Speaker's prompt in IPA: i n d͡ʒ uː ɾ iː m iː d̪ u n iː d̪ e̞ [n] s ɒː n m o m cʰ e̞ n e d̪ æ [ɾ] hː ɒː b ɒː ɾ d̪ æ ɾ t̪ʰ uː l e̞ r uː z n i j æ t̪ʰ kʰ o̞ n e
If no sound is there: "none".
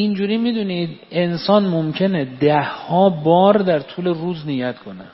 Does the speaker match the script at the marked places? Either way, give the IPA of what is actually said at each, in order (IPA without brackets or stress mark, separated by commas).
n, none